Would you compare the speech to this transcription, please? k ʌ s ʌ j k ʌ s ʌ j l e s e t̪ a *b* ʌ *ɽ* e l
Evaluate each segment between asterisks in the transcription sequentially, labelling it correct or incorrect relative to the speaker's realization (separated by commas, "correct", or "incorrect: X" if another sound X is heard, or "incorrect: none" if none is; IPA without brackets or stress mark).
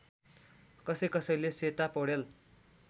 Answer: incorrect: p, correct